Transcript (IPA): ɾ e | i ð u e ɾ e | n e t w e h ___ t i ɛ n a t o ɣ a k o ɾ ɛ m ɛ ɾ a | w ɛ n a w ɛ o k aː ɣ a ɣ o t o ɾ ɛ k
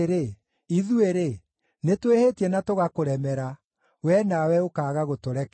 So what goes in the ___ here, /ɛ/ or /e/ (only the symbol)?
e